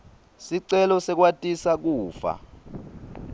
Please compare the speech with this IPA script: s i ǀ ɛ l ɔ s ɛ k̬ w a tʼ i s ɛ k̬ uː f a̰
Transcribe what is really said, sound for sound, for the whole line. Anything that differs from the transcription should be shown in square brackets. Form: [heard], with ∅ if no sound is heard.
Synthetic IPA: s i ǀ ɛ l ɔ s ɛ k̬ w a tʼ i s [a] k̬ uː f a̰